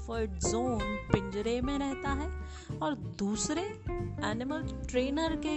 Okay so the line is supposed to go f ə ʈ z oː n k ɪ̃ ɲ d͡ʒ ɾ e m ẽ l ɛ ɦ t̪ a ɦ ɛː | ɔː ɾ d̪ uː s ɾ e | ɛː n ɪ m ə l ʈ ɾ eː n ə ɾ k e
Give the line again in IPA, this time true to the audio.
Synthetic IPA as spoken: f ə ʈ z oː n p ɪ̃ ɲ d͡ʒ ɾ e m ẽ ɾ ɛ ɦ t̪ a ɦ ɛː | ɔː ɾ d̪ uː s ɾ e | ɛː n ɪ m ə l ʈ ɾ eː n ə ɾ k e